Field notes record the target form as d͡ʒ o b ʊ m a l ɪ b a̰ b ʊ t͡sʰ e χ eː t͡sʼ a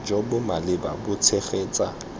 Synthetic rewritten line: d͡ʒ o b ʊ m a l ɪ b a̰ b ʊ t͡sʰ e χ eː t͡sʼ a